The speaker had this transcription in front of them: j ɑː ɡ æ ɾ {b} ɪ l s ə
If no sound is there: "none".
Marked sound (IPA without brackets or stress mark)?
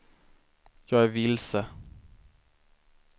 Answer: v